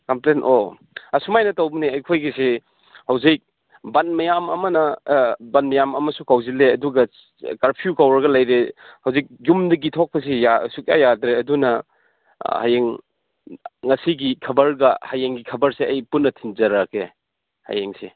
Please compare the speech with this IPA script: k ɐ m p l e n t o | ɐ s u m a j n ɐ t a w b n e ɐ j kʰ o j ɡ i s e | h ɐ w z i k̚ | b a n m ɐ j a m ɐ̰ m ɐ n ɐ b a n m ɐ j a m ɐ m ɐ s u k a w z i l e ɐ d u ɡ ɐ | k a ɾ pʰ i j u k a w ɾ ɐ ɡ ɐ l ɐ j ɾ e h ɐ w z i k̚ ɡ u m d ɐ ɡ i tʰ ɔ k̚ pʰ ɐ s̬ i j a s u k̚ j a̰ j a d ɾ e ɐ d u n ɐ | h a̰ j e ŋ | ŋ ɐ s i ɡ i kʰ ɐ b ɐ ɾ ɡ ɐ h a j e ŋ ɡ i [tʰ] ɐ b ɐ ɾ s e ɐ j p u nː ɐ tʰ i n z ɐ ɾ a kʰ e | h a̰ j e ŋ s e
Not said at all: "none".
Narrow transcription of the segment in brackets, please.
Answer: kʰ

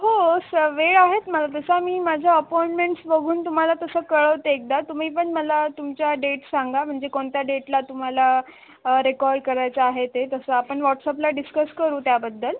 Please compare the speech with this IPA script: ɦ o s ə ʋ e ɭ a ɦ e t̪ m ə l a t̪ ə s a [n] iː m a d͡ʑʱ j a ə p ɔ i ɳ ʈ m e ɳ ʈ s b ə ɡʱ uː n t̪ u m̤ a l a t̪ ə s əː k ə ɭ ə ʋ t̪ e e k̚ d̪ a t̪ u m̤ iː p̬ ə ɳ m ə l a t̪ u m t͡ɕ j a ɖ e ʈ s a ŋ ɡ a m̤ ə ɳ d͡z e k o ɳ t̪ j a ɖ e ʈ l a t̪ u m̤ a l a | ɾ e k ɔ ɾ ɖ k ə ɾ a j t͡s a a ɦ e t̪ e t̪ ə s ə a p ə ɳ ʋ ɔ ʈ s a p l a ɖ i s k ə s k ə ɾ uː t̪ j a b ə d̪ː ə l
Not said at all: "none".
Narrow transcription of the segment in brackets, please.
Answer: m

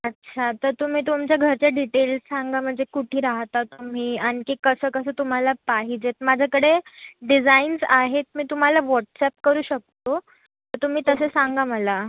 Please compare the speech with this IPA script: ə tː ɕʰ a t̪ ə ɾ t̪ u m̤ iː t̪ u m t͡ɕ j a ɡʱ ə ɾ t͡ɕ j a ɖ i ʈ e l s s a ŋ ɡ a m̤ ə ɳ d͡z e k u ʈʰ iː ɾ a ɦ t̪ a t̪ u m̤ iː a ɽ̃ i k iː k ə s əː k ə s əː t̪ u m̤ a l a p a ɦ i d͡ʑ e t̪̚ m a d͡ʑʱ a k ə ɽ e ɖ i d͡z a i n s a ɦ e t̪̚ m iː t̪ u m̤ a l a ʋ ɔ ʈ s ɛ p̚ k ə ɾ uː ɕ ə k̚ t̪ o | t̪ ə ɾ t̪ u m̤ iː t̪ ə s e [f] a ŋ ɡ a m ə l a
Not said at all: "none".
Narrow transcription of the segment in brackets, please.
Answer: s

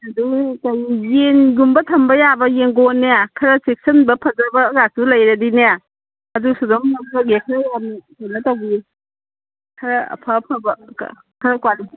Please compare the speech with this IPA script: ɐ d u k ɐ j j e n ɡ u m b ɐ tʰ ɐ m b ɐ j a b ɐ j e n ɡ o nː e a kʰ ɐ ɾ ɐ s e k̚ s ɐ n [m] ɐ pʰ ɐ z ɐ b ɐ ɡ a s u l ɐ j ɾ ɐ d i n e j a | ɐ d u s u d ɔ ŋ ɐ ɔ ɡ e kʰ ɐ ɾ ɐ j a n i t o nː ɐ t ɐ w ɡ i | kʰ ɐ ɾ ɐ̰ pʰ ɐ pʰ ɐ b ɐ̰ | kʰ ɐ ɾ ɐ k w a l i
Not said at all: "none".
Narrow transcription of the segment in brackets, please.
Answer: b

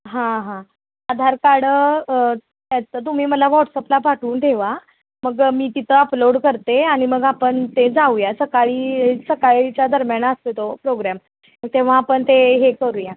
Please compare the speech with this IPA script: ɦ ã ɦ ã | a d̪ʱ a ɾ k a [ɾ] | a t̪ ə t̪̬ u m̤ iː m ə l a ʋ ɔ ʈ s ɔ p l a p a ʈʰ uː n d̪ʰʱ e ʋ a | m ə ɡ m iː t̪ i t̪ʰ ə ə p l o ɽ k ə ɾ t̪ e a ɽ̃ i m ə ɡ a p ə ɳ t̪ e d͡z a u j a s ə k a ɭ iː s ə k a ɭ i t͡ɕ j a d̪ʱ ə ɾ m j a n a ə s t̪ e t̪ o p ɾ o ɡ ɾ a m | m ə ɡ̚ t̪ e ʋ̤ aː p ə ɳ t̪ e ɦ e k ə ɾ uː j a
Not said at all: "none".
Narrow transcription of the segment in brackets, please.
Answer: ɽ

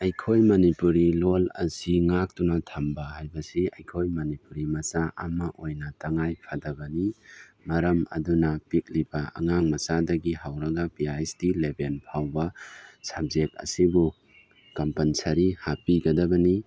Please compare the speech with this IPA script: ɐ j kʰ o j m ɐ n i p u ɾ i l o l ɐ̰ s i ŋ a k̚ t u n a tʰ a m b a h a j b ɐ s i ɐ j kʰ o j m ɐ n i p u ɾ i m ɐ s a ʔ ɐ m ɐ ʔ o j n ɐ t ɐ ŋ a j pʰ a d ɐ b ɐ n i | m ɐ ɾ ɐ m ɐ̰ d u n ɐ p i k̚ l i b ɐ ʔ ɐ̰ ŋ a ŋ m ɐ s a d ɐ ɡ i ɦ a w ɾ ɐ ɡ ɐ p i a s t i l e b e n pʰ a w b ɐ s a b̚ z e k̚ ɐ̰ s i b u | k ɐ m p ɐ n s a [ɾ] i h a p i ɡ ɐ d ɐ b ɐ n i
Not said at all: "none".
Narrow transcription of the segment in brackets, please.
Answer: ɾ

